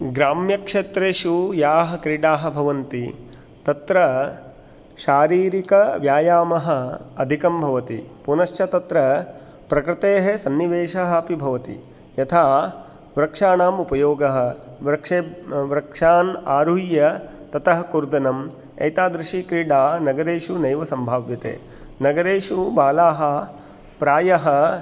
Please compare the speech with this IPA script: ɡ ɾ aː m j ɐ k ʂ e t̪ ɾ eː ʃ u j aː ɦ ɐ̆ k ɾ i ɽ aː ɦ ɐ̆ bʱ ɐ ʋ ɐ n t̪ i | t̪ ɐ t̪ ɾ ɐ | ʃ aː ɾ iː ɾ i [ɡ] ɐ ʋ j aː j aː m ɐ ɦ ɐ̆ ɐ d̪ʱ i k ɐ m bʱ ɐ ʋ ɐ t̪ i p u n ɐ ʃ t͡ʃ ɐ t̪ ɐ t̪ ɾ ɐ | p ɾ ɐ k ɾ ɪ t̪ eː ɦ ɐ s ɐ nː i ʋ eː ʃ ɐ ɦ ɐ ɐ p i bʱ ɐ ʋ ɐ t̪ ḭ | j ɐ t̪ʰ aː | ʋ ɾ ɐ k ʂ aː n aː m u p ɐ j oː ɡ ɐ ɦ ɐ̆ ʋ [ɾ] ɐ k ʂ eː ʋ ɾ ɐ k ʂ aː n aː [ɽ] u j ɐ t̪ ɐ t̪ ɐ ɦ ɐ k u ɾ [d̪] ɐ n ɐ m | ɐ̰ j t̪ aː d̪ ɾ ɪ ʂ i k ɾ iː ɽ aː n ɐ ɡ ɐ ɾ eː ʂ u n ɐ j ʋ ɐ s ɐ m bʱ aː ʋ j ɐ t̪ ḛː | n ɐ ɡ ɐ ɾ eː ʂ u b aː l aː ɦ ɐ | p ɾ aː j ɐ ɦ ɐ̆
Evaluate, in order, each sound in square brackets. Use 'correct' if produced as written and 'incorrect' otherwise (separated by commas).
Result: incorrect, correct, incorrect, correct